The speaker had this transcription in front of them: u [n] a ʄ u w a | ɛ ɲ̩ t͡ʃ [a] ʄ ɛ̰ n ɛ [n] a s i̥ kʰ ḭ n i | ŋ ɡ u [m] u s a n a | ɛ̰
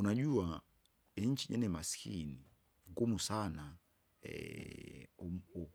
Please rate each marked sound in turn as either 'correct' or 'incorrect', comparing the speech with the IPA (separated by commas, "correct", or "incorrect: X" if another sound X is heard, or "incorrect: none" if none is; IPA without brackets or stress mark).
correct, incorrect: i, incorrect: m, correct